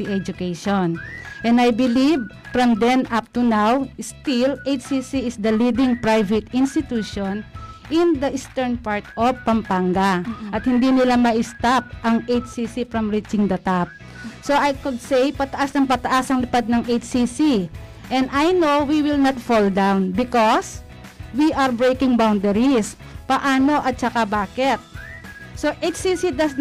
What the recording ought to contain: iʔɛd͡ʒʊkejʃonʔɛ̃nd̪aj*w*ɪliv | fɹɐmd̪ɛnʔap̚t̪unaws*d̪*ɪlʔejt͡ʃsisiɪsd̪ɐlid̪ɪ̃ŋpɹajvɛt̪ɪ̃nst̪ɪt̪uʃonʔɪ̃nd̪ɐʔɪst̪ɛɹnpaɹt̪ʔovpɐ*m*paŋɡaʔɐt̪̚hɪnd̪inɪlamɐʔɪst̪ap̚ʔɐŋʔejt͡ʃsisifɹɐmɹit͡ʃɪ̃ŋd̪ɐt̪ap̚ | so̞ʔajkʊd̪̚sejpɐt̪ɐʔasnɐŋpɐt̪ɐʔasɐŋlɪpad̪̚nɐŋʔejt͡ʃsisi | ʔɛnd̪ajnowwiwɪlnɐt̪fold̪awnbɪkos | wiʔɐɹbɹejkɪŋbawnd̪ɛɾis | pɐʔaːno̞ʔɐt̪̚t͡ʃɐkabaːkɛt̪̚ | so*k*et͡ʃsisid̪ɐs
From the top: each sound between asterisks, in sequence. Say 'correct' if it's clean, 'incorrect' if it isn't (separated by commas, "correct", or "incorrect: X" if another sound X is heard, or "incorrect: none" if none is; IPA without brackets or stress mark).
incorrect: b, incorrect: t̪, correct, incorrect: ʔ